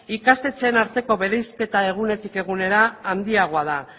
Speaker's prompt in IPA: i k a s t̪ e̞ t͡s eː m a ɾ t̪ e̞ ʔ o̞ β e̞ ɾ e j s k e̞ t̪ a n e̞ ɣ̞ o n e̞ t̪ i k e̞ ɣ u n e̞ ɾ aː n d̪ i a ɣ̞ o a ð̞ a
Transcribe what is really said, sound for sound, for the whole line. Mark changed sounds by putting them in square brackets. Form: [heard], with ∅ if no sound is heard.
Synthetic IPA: i k a s t̪ e̞ t͡s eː [n] a ɾ t̪ e̞ [k] o̞ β e̞ ɾ e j s k e̞ t̪ a [∅] e̞ ɣ̞ [u] n e̞ t̪ i k e̞ ɣ u n e̞ ɾ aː n d̪ i a ɣ̞ o a ð̞ a